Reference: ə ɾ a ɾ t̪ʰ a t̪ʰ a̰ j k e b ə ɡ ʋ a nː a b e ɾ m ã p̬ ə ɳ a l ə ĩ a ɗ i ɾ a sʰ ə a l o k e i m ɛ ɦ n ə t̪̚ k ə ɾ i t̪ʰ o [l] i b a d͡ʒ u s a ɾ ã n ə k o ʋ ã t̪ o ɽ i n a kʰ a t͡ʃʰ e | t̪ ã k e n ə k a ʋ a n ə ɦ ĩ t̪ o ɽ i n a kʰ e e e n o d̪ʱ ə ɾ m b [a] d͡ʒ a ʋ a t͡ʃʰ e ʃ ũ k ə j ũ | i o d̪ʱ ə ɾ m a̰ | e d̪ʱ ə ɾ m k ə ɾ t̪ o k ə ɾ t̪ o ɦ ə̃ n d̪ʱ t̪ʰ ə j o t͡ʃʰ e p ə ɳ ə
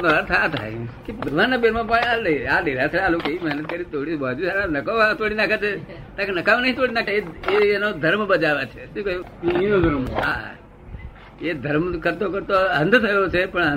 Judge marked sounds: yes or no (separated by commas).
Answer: no, no